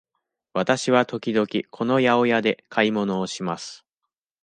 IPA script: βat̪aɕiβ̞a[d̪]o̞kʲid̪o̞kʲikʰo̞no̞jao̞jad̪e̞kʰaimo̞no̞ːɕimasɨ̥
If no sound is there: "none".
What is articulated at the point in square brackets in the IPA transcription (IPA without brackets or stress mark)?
t̪